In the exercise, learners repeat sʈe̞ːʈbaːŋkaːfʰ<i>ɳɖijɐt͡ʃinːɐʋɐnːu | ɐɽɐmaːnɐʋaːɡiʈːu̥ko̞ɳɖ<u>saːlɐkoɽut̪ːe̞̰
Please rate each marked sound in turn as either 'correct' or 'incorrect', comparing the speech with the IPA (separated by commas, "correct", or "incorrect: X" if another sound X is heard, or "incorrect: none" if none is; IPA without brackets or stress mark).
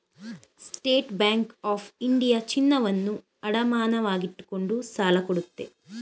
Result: correct, correct